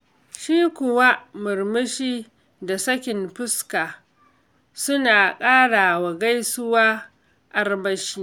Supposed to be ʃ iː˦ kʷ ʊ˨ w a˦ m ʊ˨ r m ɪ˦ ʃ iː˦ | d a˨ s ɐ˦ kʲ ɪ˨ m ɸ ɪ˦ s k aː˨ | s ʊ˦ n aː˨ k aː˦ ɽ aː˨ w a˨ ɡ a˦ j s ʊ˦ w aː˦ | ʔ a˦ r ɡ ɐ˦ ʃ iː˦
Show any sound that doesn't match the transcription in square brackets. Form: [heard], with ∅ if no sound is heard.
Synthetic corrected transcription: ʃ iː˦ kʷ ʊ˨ w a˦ m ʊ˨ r m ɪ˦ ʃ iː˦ | d a˨ s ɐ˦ kʲ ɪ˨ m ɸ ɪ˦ s k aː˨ | s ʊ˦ n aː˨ [kʼ] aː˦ ɽ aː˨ w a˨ ɡ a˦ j s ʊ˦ w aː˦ | ʔ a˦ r [b] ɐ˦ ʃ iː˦